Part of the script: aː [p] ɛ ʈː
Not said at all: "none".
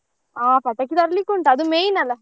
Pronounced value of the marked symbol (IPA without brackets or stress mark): p